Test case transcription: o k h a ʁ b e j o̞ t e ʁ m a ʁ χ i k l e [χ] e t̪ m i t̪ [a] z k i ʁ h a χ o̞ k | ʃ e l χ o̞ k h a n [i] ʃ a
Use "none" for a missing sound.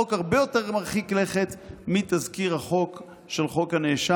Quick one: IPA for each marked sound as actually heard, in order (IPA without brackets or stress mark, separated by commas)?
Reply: χ, a, e